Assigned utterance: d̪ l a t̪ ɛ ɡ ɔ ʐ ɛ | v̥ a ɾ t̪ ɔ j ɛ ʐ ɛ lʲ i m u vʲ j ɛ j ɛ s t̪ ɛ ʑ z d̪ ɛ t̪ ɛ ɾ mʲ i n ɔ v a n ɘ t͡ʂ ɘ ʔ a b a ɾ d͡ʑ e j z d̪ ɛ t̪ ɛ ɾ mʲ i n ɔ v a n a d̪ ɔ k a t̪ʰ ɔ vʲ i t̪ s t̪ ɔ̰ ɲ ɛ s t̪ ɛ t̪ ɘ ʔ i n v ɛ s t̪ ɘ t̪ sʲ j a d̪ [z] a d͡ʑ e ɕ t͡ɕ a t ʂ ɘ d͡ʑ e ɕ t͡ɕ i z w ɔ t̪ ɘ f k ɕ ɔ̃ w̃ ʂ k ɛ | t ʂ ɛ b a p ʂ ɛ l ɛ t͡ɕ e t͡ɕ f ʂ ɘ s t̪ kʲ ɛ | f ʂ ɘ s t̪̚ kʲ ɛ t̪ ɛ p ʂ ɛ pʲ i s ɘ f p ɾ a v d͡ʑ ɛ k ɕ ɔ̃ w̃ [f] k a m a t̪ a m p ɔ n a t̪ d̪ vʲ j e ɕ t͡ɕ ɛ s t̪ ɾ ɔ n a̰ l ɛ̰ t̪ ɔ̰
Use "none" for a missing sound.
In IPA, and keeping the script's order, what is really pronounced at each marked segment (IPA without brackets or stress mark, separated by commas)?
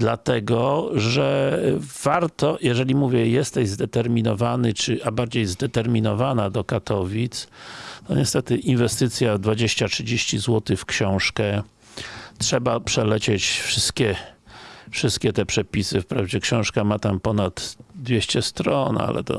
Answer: v, ʂ